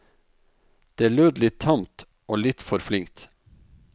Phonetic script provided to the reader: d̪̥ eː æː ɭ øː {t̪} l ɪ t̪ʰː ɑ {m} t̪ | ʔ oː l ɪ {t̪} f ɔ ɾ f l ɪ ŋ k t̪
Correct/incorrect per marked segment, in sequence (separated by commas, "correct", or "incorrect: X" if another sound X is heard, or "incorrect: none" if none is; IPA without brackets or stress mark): incorrect: d̪, correct, correct